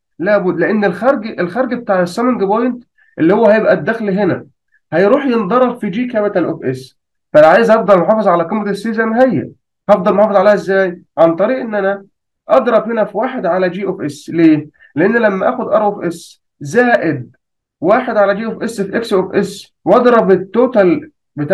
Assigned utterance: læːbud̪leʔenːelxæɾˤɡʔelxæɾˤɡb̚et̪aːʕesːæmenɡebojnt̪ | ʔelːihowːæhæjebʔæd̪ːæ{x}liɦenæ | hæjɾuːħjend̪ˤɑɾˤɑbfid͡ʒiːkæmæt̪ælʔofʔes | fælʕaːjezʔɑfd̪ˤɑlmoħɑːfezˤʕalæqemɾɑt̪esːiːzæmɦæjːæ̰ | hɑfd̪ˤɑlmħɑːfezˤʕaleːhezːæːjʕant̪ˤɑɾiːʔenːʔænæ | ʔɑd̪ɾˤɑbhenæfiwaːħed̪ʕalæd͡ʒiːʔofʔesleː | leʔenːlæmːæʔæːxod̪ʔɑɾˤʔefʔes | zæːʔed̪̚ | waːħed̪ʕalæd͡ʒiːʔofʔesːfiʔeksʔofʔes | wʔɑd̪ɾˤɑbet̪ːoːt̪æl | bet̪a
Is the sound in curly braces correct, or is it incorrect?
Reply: correct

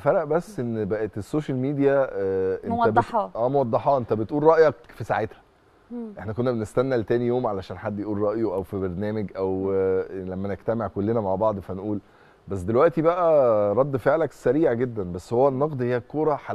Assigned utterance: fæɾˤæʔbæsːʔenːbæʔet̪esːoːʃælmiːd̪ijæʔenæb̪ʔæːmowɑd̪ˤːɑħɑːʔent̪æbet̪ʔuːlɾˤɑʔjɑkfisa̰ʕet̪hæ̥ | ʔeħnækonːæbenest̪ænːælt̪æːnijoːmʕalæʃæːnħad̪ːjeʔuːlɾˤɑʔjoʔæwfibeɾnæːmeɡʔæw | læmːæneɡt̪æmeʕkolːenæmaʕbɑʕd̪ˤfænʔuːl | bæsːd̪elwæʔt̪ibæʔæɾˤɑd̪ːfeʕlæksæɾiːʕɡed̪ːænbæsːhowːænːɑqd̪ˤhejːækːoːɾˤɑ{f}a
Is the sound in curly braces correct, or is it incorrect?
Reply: incorrect: ħ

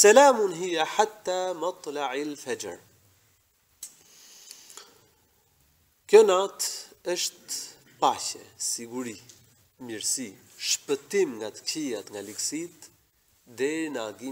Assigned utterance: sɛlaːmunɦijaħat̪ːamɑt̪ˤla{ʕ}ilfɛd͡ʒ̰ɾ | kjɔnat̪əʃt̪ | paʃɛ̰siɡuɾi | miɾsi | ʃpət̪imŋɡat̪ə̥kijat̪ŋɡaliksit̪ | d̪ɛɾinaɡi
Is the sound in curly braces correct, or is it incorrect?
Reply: correct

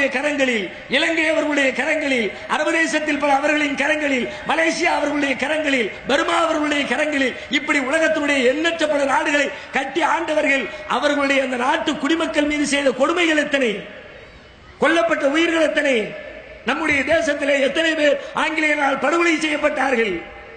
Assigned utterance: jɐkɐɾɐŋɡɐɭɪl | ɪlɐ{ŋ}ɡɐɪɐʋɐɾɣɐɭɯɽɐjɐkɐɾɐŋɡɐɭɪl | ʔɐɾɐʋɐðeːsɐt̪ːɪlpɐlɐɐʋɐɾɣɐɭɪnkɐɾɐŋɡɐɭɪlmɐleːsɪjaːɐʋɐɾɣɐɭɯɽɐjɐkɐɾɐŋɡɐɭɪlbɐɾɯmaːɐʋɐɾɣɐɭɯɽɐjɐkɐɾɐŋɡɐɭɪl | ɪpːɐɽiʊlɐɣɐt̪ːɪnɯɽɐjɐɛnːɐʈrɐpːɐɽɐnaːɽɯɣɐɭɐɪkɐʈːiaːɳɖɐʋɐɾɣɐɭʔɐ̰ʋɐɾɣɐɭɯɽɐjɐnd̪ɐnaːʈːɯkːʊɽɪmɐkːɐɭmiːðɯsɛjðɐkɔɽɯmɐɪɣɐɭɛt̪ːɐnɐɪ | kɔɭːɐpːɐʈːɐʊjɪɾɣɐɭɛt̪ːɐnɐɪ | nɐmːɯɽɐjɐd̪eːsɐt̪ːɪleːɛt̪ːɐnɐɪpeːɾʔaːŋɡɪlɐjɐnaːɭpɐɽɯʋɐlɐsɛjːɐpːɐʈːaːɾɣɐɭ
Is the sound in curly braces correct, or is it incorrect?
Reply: correct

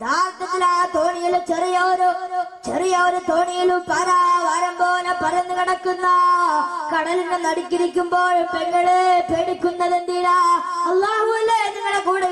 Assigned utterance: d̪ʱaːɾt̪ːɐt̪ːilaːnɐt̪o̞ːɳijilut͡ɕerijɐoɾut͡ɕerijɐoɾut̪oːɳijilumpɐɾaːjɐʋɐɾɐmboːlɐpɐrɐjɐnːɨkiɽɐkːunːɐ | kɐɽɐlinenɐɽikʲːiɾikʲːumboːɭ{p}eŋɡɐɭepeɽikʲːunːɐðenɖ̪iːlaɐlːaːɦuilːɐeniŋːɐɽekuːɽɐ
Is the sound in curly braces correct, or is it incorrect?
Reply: correct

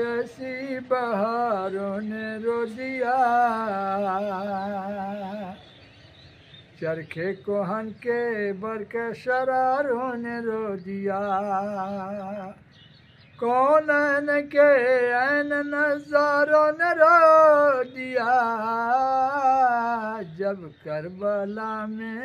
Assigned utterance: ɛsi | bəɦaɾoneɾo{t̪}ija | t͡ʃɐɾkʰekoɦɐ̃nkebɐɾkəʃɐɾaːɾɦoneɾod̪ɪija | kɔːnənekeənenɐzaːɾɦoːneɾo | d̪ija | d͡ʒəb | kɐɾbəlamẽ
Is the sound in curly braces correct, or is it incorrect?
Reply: incorrect: d̪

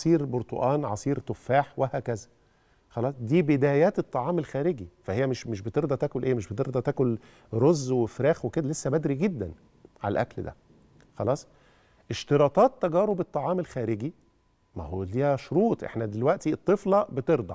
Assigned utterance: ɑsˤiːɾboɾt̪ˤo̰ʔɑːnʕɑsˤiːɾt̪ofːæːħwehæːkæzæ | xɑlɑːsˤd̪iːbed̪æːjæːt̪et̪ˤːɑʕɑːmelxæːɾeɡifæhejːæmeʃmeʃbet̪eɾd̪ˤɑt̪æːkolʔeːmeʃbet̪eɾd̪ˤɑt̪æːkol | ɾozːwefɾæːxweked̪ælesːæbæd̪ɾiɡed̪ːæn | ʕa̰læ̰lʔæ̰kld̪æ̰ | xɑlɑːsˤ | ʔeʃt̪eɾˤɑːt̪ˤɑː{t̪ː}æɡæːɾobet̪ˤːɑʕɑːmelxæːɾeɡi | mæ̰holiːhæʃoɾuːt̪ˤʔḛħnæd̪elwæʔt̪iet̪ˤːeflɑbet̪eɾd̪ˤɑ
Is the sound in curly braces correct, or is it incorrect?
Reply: correct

